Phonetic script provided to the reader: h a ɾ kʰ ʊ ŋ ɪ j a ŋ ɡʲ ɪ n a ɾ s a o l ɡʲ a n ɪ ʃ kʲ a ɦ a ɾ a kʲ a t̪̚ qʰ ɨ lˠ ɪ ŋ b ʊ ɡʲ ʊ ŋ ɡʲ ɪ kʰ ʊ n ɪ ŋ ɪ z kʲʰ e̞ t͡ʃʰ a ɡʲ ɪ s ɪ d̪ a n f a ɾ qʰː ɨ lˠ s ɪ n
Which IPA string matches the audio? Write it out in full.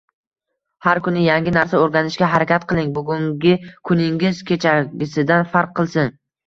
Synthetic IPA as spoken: h a ɾ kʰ ʊ n ɪ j a ŋ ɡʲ ɪ n a ɾ s a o ɾ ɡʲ a n ɪ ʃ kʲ a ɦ a ɾ a kʲ a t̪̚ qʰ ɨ lˠ ɪ ŋ b ʊ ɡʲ ʊ ŋ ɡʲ ɪ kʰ ʊ n ɪ ŋ ɪ z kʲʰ e̞ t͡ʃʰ a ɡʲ ɪ s ɪ d̪ a n f a ɾ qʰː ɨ lˠ s ɪ n